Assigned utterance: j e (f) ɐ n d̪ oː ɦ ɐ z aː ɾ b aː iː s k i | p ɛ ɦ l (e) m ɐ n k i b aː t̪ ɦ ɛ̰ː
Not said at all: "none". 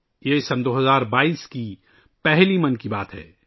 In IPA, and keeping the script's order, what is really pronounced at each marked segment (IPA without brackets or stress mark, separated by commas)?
s, i